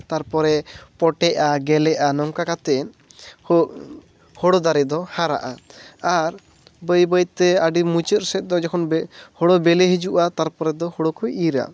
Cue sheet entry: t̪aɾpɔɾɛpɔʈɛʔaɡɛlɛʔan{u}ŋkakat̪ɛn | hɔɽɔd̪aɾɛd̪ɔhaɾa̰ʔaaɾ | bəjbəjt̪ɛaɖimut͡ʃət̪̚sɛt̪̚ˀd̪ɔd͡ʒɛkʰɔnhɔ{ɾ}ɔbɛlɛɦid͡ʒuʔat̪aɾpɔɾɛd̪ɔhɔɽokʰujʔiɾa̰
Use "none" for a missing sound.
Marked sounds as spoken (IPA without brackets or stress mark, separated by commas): ɔ, ɽ